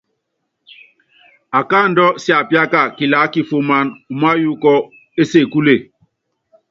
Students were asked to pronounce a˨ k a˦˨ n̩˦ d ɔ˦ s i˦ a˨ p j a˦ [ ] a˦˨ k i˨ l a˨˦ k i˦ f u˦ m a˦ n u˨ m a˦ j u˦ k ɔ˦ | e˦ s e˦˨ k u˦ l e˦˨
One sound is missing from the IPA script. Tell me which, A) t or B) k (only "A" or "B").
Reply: B